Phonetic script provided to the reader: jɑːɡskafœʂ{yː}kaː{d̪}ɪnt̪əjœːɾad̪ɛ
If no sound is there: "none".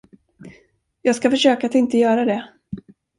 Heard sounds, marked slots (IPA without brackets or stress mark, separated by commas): øː, t̪